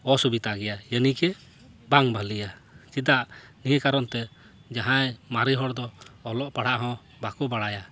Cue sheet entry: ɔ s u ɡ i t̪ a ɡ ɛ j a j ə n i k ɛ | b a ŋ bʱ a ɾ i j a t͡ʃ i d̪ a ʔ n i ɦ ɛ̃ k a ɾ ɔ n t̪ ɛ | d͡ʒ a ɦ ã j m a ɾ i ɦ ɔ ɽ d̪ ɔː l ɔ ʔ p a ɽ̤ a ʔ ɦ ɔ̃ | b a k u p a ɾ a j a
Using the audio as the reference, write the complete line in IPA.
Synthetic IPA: ɔ s u b i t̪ a ɡ ɛ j a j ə n i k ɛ | b a ŋ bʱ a l i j a t͡ʃ i d̪ a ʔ n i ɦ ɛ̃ k a ɾ ɔ n t̪ ɛ | d͡ʒ a ɦ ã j m a ɾ i ɦ ɔ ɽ d̪ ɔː l ɔ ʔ p a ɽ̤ a ʔ ɦ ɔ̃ | b a k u b a ɽ a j a